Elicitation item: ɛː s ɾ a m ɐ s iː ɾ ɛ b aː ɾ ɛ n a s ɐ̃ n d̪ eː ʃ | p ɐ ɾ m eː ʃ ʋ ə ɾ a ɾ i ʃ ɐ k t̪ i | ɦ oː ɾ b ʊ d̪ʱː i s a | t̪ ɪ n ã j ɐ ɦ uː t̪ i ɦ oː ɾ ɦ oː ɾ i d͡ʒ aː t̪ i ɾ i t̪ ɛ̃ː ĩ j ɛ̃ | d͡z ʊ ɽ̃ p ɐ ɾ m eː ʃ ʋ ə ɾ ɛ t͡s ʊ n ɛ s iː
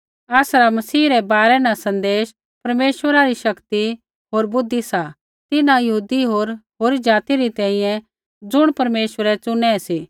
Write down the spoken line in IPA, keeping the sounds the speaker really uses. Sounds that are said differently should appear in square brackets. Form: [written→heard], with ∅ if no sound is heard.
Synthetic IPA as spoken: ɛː s ɾ a m ɐ s iː ɾ ɛ b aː ɾ ɛ n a s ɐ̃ n d̪ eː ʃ | p ɐ ɾ m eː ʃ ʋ ə ɾ a ɾ i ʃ ɐ k t̪ i | ɦ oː ɾ b ʊ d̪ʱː i s a | t̪ ɪ n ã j ɐ ɦ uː [t̪→d̪] i ɦ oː ɾ ɦ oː ɾ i d͡ʒ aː t̪ i ɾ i t̪ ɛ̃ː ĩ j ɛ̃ | d͡z ʊ ɽ̃ p ɐ ɾ m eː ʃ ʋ ə ɾ ɛ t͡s ʊ n ɛ s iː